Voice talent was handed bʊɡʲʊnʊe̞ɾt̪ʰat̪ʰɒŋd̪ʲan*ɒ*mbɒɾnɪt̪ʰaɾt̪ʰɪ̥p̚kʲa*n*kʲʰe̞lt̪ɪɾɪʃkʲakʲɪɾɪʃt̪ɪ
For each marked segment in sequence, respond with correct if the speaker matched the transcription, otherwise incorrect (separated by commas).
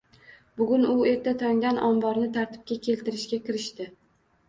correct, incorrect